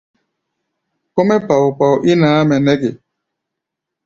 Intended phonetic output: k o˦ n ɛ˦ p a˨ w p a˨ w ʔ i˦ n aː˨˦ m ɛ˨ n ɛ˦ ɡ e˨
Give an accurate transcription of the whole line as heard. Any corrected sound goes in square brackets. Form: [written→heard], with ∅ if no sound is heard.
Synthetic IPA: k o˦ [n→m] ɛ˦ p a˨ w p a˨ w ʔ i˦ n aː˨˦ m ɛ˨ n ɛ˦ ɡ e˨

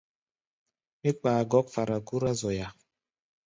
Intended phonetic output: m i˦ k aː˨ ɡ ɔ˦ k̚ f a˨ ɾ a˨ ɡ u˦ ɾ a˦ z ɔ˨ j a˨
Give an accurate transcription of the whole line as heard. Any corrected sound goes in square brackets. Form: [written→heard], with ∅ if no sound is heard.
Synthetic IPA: m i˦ [k→k͡p] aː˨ ɡ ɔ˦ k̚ f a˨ ɾ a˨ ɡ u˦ ɾ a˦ z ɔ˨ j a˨

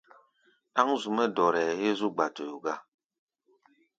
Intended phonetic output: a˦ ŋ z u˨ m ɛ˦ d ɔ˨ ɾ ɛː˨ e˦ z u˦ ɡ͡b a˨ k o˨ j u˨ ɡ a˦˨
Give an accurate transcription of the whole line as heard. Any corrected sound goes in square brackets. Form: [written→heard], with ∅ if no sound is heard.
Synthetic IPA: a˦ ŋ z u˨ m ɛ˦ d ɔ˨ ɾ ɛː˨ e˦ z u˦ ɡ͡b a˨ [k→t] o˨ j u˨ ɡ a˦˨

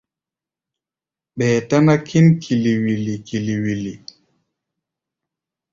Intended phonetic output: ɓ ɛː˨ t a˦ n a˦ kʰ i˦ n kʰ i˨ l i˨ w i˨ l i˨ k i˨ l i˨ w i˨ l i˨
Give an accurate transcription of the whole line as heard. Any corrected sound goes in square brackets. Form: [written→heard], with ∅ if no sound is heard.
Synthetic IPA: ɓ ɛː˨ t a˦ n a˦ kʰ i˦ n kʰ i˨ l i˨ w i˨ l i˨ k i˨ l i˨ w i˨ l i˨

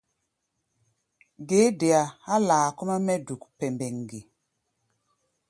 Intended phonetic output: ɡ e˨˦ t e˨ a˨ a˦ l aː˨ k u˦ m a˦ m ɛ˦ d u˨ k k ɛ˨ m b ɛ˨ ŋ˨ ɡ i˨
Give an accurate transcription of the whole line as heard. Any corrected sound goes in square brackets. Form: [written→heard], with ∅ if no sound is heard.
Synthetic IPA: ɡ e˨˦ [t→d] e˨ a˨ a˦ l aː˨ k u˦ m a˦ m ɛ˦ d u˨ k [k→p] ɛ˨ m b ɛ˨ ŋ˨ ɡ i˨

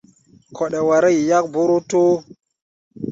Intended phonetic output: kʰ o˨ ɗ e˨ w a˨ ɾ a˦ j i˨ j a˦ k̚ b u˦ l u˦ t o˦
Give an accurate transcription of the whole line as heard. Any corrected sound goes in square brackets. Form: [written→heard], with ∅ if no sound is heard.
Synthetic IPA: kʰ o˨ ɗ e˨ w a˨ ɾ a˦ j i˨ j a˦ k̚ b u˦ [l→ɾ] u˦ t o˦

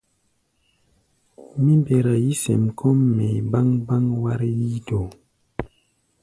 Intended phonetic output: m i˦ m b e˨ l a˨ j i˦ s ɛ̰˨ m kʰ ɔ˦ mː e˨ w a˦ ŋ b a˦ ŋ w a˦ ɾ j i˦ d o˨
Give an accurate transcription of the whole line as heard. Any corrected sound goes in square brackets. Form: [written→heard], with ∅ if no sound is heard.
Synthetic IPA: m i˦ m b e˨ [l→ɾ] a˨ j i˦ s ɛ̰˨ m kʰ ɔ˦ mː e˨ [w→b] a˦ ŋ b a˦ ŋ w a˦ ɾ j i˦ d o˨

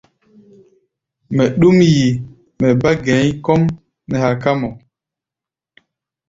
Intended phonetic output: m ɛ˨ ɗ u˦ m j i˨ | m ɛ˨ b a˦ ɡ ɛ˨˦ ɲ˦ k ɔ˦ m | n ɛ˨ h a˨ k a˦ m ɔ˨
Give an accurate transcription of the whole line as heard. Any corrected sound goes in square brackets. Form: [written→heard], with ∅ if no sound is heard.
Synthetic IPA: m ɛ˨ ɗ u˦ m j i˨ | m ɛ˨ b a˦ ɡ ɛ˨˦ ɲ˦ k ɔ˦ m | n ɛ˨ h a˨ k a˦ m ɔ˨

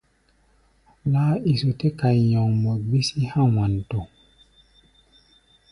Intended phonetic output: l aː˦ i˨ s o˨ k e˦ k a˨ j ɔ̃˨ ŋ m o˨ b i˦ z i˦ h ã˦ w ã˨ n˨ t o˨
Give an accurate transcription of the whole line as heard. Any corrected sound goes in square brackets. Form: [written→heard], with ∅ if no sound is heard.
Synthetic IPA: l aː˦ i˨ s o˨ [k→t] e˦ k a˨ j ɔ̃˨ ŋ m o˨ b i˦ [z→s] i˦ h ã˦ w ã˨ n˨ t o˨

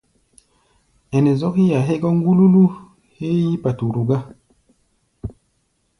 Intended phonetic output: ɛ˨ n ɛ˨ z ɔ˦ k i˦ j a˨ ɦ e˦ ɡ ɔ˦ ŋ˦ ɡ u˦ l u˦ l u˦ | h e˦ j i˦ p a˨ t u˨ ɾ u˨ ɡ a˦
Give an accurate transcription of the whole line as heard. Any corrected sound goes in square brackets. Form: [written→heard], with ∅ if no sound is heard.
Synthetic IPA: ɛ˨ n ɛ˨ z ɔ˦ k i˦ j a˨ ɦ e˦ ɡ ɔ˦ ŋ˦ ɡ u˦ l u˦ l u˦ | h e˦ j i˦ p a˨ t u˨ ɾ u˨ ɡ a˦

